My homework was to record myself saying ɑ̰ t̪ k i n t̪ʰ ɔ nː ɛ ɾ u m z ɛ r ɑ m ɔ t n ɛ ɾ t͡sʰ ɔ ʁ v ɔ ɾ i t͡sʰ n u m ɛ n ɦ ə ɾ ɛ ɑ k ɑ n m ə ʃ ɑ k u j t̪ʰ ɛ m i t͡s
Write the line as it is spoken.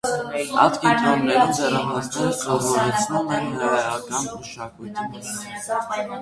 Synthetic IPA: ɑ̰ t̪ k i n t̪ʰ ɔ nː ɛ ɾ u m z ɛ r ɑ m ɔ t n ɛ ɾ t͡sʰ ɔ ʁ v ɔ ɾ ɛ t͡sʰ n u m ɛ n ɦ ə ɾ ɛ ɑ k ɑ n m ə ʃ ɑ k u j t̪ʰ i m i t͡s